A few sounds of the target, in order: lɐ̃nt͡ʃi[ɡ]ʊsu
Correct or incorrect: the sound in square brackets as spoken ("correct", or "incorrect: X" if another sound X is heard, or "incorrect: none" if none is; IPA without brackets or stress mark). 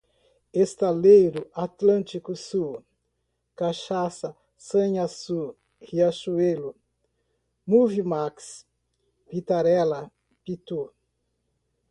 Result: incorrect: k